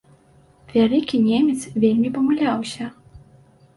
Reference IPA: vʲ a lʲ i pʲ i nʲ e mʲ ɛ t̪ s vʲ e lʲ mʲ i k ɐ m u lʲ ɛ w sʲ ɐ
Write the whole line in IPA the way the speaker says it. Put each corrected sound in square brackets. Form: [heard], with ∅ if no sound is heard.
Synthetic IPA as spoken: vʲ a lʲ i [kʲ] i nʲ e mʲ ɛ t̪ s vʲ e lʲ mʲ i [p] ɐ m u lʲ [a] w sʲ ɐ